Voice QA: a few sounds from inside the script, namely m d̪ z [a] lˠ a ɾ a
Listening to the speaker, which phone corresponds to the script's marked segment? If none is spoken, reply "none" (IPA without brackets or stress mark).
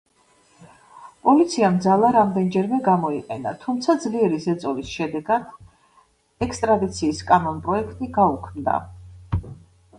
a